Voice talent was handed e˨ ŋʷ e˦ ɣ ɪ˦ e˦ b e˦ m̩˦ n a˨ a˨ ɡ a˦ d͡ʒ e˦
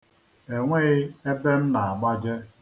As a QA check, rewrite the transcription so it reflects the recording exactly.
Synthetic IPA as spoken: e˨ ŋʷ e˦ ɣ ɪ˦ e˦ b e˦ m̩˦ n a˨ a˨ ɡ͡b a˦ d͡ʒ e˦